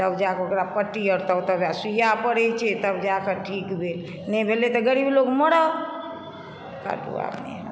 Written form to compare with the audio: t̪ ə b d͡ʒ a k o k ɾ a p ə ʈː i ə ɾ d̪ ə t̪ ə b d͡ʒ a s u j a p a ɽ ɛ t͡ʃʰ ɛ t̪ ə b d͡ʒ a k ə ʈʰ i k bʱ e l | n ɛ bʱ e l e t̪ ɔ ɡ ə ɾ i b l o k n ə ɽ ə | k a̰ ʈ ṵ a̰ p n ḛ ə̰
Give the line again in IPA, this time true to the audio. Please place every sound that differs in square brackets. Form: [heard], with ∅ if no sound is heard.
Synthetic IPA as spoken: t̪ ə b d͡ʒ a k o k ɾ a p ə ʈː i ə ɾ [t̪] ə t̪ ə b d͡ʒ a s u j a p [ə] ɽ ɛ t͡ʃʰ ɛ t̪ ə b d͡ʒ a k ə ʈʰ i k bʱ e l | n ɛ bʱ e l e t̪ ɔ ɡ ə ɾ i b l o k [m] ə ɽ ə | k a̰ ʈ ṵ a̰ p n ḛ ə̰